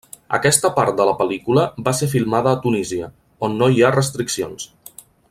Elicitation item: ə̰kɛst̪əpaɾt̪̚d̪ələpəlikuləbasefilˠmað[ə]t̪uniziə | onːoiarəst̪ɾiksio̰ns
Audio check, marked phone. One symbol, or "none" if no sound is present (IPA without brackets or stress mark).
əː